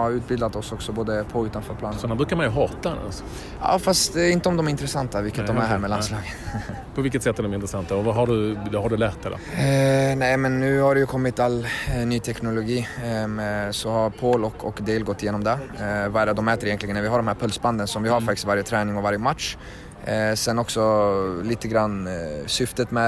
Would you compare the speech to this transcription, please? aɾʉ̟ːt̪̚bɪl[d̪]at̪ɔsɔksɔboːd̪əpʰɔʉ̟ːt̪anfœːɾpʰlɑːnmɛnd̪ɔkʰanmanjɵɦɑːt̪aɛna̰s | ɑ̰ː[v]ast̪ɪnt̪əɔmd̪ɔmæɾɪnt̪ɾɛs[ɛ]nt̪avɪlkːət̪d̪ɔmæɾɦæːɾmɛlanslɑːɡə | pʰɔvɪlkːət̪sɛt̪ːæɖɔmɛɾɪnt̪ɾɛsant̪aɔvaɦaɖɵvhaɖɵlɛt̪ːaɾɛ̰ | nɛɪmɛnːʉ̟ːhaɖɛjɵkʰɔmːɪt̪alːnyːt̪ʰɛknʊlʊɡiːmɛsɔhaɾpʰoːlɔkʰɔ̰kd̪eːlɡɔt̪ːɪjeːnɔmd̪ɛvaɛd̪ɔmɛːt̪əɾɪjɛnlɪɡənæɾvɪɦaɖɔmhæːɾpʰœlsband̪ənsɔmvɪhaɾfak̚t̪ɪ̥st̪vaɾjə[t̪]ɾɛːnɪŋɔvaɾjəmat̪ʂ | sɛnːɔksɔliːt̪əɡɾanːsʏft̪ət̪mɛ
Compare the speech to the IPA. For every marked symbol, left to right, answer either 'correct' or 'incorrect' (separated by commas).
correct, incorrect, incorrect, incorrect